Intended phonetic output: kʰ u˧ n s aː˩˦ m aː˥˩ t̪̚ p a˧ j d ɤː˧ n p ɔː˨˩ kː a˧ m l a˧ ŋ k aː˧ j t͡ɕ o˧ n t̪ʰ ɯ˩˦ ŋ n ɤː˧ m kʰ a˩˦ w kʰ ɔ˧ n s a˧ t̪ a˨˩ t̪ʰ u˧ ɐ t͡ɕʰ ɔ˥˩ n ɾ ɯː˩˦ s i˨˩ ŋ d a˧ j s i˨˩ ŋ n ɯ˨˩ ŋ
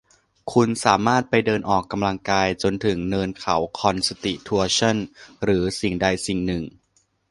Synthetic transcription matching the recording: kʰ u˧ n s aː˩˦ m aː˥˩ t̪̚ p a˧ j d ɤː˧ n ʔ ɔː˨˩ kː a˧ m l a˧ ŋ k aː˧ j t͡ɕ o˧ n t̪ʰ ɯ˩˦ ŋ n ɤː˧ n kʰ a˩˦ w kʰ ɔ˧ n s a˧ t̪ i˨˩ t̪ʰ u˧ ɐ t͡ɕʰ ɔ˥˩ n ɾ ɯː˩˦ s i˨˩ ŋ d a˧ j s i˨˩ ŋ n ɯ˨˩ ŋ